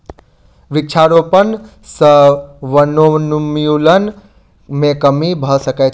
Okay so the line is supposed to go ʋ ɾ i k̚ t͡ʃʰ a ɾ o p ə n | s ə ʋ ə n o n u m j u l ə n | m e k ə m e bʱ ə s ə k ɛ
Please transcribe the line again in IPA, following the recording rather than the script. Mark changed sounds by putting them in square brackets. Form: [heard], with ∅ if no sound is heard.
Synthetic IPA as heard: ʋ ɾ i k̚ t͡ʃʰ a ɾ o p ə n | s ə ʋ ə n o n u m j u l ə n | m e k ə m [i] bʱ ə s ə k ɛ